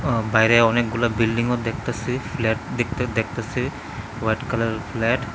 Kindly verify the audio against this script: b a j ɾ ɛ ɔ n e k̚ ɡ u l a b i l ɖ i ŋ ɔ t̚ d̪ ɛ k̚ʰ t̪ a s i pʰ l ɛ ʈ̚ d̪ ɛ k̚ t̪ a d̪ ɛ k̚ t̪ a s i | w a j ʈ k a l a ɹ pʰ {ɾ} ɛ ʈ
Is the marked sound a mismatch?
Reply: yes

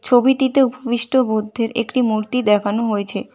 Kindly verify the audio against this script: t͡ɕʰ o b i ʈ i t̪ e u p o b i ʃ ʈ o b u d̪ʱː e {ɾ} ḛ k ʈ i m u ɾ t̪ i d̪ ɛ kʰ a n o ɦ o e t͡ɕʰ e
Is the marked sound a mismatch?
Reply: no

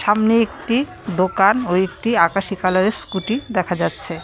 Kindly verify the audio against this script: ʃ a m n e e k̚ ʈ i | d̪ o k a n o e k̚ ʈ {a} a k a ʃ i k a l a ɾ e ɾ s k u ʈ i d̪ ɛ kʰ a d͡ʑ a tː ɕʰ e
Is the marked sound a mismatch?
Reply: yes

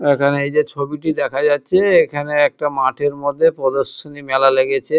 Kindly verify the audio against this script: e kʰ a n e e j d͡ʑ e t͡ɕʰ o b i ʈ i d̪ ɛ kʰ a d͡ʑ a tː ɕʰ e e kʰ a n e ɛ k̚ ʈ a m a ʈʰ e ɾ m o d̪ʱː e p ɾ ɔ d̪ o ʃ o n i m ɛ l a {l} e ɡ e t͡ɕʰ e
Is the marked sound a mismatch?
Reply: no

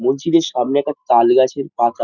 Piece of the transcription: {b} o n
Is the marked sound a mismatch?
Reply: yes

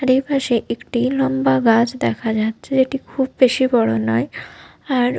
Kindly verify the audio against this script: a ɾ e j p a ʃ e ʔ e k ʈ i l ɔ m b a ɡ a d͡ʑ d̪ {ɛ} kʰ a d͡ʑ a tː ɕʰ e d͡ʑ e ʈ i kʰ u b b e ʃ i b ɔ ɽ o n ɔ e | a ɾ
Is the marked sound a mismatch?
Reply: no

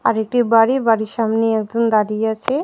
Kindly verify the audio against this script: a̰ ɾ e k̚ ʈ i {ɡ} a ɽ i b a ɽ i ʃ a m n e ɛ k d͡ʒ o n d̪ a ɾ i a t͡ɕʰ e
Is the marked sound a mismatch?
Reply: yes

